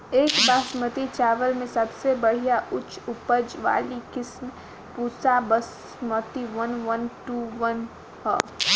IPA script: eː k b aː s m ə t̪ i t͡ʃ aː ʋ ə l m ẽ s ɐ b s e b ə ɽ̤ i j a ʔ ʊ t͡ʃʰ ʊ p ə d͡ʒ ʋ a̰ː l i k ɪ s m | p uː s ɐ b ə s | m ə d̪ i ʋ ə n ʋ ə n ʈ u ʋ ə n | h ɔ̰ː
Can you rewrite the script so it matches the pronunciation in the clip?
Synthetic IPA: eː k b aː s m ə t̪ i t͡ʃ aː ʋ ə l m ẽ s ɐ b s e b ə ɽ̤ i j a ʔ ʊ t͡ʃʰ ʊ p ə d͡ʒ ʋ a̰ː l i k ɪ s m | p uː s a b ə s | m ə t̪ i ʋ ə n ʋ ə n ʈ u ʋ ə n | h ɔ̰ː

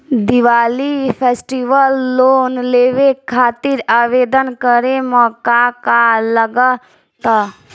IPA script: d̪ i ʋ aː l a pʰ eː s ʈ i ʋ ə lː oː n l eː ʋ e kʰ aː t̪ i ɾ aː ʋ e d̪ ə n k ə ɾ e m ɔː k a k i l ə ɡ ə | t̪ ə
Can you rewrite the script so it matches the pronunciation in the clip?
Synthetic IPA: d̪ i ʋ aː l i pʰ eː s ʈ i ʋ ə lː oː n l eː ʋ e kʰ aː t̪ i ɾ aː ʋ e d̪ ə n k ə ɾ e m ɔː k a k a l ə ɡ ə | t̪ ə

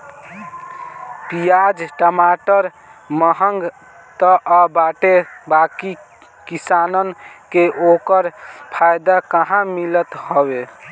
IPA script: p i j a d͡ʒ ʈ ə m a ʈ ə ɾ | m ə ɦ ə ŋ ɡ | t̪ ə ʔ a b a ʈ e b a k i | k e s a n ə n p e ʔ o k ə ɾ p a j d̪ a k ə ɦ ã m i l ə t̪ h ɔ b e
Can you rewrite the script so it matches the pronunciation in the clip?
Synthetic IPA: p i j a d͡ʒ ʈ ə m a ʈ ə ɾ | m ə ɦ ə ŋ ɡ | t̪ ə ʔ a b a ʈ e b a k i | k i s a n ə n k e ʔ o k ə ɾ pʰ a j d̪ a k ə ɦ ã m i l ə t̪ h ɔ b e

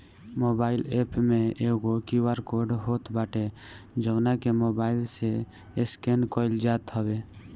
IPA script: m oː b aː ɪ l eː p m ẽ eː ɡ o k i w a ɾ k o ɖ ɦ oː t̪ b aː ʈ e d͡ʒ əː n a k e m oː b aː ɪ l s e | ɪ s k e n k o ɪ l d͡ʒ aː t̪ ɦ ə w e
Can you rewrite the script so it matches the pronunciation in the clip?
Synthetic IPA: m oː b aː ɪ l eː p m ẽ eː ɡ o k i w a ɾ k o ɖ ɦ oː t̪ b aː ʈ e d͡ʒ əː n a k e m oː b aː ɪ l s e | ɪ s k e n k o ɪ l d͡ʒ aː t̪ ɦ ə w e

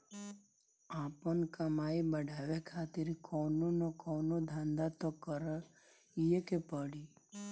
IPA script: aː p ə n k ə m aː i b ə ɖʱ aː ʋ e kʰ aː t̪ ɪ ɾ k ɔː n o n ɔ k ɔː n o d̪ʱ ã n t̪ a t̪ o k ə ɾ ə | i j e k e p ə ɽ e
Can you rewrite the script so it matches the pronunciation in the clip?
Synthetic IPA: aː p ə n k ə m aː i b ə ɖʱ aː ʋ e kʰ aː t̪ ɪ ɾ k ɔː n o n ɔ k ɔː n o d̪ʱ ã n d̪ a t̪ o k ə ɾ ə | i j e k e p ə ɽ i

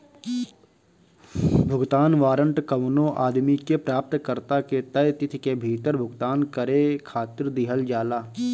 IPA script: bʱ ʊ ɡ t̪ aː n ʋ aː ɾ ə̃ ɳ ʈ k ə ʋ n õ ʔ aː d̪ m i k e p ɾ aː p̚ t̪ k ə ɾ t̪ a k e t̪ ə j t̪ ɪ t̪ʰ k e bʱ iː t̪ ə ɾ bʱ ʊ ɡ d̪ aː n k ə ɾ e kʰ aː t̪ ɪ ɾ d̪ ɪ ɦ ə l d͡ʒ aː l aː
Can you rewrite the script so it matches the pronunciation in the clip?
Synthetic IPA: bʱ ʊ ɡ t̪ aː n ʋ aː ɾ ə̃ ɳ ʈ k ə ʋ n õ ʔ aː d̪ m i k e p ɾ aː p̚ t̪ k ə ɾ t̪ a k e t̪ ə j t̪ ɪ t̪ʰ k e bʱ iː t̪ ə ɾ bʱ ʊ ɡ t̪ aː n k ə ɾ e kʰ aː t̪ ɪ ɾ d̪ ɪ ɦ ə l d͡ʒ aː l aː

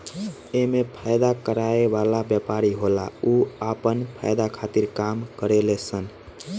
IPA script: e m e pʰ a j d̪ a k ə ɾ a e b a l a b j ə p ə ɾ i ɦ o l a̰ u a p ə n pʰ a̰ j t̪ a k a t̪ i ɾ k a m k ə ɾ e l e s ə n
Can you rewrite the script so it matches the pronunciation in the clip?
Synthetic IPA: e m e pʰ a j d̪ a k ə ɾ a e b a l a b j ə p a ɾ i ɦ o l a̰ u a p ə n pʰ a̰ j d̪ a kʰ a t̪ i ɾ k a m k ə ɾ e l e s ə n

